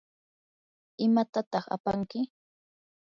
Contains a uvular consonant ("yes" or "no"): yes